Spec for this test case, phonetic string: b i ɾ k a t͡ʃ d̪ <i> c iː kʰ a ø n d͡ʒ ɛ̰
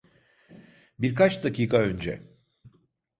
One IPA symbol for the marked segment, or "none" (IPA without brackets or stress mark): a